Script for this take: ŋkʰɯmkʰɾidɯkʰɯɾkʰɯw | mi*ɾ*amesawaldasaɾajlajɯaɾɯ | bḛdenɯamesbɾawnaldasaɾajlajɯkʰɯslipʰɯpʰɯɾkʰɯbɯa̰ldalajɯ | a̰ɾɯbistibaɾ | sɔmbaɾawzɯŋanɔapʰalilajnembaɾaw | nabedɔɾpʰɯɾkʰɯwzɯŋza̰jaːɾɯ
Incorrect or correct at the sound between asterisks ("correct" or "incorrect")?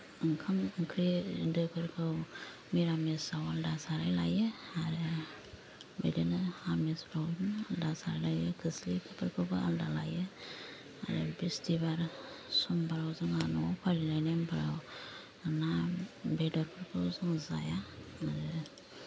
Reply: correct